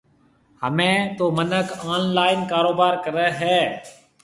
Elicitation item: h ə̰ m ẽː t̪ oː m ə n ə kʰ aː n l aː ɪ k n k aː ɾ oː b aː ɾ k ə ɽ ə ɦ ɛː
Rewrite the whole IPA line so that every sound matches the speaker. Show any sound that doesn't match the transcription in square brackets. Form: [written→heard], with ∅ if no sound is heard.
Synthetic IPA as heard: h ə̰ m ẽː t̪ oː m ə n ə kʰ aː n l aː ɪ [k→∅] n k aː ɾ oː b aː ɾ k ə [ɽ→ɾ] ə ɦ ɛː